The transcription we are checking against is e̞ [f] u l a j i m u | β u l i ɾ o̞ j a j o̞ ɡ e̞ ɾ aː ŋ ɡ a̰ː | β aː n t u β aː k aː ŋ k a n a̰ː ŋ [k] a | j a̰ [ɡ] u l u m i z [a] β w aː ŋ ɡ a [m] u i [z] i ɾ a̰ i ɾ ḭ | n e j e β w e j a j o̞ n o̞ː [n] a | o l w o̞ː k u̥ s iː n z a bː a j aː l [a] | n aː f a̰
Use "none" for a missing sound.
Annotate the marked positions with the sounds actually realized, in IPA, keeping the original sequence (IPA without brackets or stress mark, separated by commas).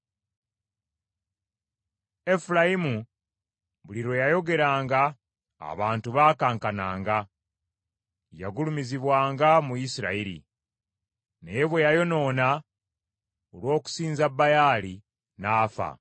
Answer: f, ɡ, ɡ, i, m, s, n, i